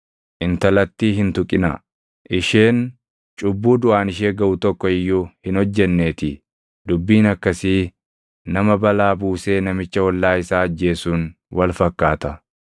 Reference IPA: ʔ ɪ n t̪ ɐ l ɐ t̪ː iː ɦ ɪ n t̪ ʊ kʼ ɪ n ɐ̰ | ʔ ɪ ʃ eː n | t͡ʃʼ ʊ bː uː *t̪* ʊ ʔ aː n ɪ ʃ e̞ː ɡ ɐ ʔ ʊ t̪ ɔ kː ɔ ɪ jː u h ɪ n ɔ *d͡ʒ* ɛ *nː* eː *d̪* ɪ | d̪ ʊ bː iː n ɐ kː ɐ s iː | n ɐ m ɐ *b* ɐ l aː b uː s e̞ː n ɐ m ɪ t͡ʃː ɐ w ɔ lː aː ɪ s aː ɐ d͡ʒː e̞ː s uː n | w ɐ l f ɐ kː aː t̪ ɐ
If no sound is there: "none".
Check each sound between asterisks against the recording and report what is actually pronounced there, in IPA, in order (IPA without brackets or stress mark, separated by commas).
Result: d̪, d͡ʒː, nː, t̪, b